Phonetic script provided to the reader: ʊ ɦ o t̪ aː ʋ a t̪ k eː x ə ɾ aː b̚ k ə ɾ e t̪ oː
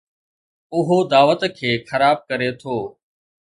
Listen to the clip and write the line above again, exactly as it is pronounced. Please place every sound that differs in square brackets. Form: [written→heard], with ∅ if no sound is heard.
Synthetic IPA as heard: ʊ ɦ o [t̪→d̪] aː ʋ [a→ə] t̪ [k→kʰ] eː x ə ɾ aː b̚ k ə ɾ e [t̪→t̪ʰ] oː